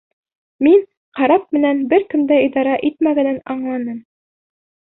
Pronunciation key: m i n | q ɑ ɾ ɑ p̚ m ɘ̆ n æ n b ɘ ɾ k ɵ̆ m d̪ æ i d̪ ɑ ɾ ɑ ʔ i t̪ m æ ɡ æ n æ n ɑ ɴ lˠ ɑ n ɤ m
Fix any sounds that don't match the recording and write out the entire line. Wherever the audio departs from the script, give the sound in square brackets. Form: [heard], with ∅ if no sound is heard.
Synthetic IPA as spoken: m i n | q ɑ ɾ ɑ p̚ m ɘ̆ n æ n b ɘ ɾ k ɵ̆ m d̪ æ i d̪ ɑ ɾ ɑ ʔ i t̪ m æ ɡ æ n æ n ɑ ɴ lˠ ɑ n ɤ m